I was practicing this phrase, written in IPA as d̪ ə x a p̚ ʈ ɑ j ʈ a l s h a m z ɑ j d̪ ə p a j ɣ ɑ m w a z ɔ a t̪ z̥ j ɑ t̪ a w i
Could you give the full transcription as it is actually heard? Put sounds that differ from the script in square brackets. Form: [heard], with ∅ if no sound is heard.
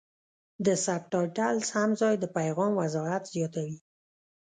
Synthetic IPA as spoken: d̪ ə [s] a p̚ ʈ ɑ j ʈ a l s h a m z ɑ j d̪ ə p a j ɣ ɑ m w a z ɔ a t̪ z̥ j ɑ t̪ a w i

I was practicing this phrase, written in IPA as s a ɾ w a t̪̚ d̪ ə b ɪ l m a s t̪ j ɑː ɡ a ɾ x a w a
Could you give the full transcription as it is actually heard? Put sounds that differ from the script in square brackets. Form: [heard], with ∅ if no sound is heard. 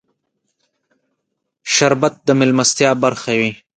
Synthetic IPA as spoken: [ʃ] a ɾ [b] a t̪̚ d̪ ə [m] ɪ l m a s t̪ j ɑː [b] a ɾ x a w [i]

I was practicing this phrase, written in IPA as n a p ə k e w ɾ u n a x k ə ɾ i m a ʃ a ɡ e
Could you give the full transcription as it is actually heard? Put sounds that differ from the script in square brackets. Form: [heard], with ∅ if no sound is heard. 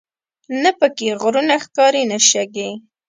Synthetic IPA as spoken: n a p ə k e [ɣ] ɾ u n a x k [ɑ] ɾ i [n] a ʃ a ɡ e

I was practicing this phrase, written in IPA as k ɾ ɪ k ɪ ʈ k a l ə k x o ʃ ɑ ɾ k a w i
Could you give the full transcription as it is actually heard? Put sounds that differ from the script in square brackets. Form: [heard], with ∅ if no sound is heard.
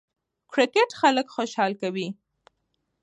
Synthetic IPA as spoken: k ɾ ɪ k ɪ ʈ [x] a l ə k x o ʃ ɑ [l] k a w i

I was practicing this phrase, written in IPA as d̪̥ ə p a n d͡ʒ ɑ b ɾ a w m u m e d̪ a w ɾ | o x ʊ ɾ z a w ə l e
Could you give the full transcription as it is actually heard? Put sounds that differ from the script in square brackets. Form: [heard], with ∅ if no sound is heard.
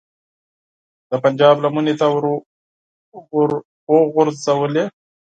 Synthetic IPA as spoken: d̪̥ ə p a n d͡ʒ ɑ b [l] a [∅] m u [n] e [t̪] a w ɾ | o [ɣ] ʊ ɾ z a w ə l e

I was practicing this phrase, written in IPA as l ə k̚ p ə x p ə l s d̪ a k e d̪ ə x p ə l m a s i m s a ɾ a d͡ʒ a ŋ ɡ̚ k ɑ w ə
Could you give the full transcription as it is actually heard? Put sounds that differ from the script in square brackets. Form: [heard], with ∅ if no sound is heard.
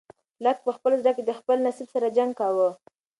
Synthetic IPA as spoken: l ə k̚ p ə x p ə l [z] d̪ a k e d̪ ə x p ə l [n] a s i [b] s a ɾ a d͡ʒ a ŋ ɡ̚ k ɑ w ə

